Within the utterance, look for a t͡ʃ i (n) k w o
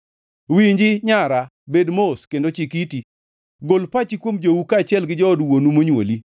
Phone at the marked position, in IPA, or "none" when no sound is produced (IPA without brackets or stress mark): none